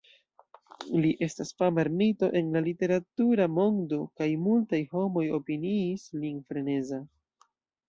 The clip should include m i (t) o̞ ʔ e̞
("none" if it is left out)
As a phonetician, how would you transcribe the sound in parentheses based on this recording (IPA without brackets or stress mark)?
t